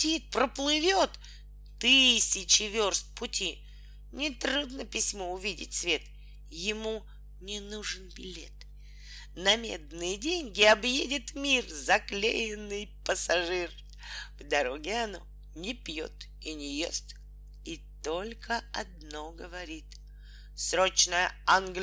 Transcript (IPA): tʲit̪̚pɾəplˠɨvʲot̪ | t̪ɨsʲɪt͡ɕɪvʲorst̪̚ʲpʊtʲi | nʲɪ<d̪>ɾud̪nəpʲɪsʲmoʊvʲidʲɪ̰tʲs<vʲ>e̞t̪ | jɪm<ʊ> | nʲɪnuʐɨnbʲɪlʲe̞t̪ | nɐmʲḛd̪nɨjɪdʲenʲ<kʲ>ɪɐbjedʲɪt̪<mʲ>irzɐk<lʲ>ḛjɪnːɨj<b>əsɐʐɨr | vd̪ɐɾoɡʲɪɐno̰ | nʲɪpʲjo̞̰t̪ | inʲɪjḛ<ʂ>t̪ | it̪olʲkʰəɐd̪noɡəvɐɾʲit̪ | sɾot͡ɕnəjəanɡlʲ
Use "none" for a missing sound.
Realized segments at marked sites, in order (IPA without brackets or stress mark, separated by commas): t̪, vʲ, u, ɡʲ, mʲ, lʲ, p, s